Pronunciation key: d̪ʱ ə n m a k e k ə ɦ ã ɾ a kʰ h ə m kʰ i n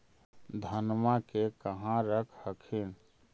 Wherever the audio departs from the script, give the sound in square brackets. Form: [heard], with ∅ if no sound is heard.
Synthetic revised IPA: d̪ʱ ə n m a k e k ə ɦ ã ɾ [ə] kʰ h ə [∅] kʰ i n

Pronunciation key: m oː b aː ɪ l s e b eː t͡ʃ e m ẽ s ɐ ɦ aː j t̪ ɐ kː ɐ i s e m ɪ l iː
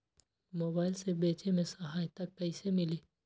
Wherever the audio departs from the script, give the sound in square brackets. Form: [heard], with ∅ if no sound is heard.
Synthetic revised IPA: m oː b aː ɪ l s e b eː t͡ʃ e m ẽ s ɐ ɦ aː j t̪ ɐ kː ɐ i s e m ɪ l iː

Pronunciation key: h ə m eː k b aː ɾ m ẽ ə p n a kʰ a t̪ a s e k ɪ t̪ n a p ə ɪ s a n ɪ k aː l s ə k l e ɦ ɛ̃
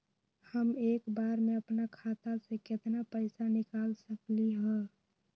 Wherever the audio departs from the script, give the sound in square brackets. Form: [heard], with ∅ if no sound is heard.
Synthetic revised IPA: h ə m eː k b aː ɾ m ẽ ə p n a kʰ a t̪ a s e k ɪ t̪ n a p ə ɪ s a n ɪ k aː l s ə k l [i] ɦ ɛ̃

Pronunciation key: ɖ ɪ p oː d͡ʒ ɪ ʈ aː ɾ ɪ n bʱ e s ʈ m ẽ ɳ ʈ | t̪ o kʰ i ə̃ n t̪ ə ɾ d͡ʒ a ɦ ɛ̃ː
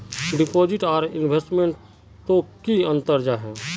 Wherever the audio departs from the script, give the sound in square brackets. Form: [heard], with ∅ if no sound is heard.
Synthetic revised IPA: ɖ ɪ p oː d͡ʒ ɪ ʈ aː ɾ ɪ n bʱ e s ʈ m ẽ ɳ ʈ | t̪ o [k] i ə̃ n t̪ ə ɾ d͡ʒ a ɦ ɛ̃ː

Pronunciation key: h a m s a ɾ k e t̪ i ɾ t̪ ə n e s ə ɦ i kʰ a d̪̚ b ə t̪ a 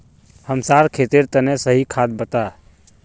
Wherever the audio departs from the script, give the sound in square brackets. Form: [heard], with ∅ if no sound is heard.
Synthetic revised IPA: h [ə] m s a ɾ [kʰ] e t̪ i ɾ t̪ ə n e s ə ɦ i kʰ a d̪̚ b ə t̪ a

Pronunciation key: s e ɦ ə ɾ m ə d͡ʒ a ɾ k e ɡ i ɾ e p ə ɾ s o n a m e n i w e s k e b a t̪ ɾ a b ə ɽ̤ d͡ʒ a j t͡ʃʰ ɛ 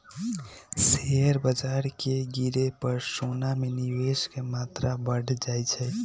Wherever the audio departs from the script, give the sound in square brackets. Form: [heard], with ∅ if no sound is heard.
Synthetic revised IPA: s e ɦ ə ɾ [b] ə d͡ʒ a ɾ k e ɡ i ɾ e p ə ɾ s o n a m e n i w e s k e [m] a t̪ ɾ a b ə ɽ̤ d͡ʒ a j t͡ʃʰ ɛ

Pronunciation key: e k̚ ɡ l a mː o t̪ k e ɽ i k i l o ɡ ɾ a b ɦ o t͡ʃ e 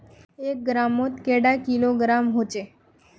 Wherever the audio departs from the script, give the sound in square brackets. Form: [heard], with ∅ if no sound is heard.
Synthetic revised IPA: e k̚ ɡ [ɾ] a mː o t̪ k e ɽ [a] k i l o ɡ ɾ a [m] ɦ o t͡ʃ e

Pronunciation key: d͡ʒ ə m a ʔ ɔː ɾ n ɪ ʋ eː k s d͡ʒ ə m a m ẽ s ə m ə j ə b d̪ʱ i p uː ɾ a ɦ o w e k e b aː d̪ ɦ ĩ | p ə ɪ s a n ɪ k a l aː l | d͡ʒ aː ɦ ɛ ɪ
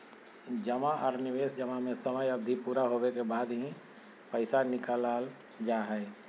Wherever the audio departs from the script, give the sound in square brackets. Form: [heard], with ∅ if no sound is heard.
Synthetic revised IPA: d͡ʒ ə m a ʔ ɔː ɾ n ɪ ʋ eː [∅] s d͡ʒ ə m a m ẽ s ə m ə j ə b d̪ʱ i p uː ɾ a ɦ o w e k e b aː d̪ ɦ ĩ | p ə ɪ s a n ɪ k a l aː l | d͡ʒ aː ɦ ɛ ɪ

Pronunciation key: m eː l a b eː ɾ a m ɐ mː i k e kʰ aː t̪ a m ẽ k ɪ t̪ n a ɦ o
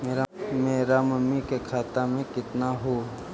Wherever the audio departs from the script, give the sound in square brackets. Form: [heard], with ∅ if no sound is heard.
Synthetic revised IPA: m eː [ɾ] a [m] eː ɾ a m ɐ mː i k e kʰ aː t̪ a m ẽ k ɪ t̪ n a ɦ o

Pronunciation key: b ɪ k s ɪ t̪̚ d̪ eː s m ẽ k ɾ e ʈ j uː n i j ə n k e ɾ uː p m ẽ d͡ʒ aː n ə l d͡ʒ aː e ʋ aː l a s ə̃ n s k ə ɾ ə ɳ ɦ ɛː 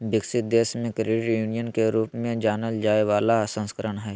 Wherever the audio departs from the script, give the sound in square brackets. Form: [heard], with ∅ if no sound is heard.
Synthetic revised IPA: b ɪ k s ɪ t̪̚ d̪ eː s m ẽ k ɾ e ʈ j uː n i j ə n k e ɾ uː p m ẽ d͡ʒ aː n ə l d͡ʒ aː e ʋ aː l a s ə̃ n s k ə ɾ ə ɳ ɦ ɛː

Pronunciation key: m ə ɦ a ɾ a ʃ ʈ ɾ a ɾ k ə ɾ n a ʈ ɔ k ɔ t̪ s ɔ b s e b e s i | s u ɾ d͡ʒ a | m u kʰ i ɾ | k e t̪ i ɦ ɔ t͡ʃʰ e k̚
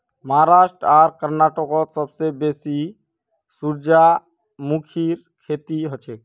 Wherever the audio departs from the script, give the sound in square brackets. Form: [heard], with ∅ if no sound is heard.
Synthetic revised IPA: m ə ɦ a ɾ a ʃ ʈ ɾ a ɾ k ə ɾ n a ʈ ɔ k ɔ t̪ s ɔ b s e b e s i | s u ɾ d͡ʒ a | m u kʰ i ɾ | [kʰ] e t̪ i ɦ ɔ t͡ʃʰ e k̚

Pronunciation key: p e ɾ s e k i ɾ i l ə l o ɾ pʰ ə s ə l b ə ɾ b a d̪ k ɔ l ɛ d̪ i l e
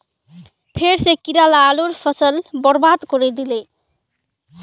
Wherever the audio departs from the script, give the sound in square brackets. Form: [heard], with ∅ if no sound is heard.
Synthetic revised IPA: [pʰ] e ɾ s e k i ɾ [a] l [a] l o ɾ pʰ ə s ə l b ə ɾ b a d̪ k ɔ [ɾ] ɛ d̪ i l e

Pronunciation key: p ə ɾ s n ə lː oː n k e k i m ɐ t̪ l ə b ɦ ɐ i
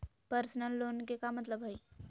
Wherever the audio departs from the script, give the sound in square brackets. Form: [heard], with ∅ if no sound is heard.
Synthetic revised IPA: p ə ɾ s n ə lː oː n k e k [a] m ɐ t̪ l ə b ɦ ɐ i

